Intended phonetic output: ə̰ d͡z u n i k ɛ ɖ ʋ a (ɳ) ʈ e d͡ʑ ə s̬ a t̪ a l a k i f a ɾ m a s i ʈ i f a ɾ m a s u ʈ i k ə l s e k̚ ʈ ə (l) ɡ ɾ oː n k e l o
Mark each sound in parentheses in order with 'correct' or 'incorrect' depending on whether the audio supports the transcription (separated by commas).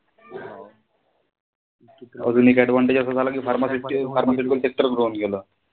correct, incorrect